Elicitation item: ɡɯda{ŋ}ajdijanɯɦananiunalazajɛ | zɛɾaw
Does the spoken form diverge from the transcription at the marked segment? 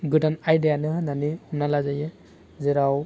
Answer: yes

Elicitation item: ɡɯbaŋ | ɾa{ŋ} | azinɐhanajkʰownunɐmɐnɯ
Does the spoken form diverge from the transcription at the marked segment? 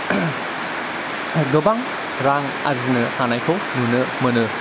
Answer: no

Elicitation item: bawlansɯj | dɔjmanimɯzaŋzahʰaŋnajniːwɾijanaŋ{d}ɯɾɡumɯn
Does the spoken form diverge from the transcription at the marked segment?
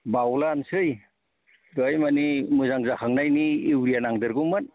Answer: no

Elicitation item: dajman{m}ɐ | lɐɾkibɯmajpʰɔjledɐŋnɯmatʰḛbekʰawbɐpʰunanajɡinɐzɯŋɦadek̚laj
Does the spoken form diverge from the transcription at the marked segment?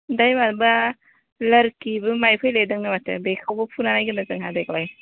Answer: yes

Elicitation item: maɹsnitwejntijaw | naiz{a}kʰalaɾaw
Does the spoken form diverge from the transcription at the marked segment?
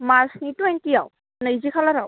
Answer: yes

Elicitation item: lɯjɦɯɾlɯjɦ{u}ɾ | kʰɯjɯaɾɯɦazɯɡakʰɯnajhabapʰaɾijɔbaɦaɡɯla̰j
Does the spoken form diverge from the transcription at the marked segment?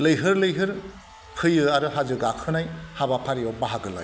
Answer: yes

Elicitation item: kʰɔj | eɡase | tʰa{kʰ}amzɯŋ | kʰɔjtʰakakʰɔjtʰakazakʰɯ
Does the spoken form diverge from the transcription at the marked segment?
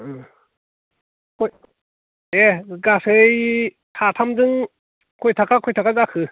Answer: yes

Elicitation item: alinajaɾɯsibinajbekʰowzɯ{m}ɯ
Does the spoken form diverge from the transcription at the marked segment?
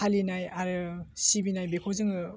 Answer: yes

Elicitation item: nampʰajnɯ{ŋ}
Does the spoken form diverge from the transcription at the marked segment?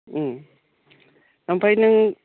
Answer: no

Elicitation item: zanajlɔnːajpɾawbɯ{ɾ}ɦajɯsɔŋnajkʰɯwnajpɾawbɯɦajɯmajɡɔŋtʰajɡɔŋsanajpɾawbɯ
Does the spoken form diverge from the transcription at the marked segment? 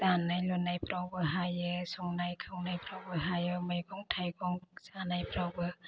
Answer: yes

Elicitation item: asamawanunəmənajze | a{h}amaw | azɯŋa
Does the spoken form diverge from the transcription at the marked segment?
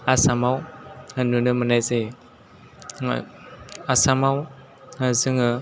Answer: yes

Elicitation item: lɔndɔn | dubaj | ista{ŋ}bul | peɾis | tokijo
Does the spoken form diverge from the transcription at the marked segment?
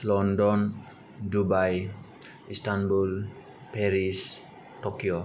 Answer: yes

